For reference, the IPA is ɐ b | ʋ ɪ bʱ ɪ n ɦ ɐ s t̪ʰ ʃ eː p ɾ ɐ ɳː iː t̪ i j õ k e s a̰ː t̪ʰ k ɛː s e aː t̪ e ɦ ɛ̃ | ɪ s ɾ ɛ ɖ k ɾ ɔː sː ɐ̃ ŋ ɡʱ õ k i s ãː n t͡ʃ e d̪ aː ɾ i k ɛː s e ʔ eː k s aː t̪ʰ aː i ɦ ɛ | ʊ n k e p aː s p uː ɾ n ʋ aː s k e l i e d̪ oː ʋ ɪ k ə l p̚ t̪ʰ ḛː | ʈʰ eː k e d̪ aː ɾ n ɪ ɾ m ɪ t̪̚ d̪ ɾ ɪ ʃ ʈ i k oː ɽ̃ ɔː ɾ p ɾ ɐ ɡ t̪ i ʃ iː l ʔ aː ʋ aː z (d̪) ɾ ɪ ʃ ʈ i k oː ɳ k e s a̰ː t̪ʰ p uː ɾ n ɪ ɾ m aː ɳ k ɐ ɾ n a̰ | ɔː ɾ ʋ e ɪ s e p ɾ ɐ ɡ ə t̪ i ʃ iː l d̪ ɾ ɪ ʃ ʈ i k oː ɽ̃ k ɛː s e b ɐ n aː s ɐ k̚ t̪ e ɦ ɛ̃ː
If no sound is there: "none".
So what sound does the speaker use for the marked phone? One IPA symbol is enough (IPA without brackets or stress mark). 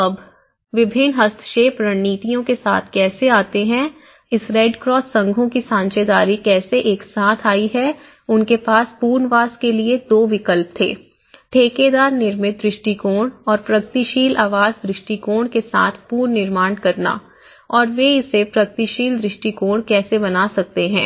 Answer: d̪